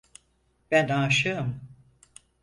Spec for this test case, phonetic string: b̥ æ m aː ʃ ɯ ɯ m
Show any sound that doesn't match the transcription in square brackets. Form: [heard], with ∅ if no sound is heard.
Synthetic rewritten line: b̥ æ [n] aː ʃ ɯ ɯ m